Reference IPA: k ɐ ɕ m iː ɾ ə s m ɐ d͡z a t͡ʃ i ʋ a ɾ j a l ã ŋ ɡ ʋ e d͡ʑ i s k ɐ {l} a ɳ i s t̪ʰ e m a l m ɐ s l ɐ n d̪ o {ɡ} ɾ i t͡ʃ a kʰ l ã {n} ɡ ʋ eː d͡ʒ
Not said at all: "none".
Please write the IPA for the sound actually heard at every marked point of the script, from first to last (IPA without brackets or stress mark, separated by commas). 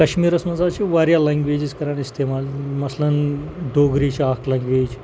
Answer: ɾ, ɡ, ŋ